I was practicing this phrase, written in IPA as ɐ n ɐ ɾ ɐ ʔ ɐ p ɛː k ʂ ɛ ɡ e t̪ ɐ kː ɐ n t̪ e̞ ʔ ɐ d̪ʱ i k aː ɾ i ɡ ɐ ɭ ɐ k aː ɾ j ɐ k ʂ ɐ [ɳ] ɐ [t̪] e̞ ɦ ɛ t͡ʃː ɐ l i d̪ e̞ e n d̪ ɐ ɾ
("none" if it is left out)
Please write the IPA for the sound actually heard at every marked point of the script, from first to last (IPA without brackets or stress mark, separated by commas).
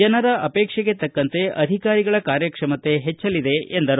m, t̪